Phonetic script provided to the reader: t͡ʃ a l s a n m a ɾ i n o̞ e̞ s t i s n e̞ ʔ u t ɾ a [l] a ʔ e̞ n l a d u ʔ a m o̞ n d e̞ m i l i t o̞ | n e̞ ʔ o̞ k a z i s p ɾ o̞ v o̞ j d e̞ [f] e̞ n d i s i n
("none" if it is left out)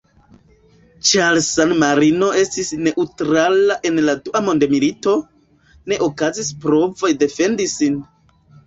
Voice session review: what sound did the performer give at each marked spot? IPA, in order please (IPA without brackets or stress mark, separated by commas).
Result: l, f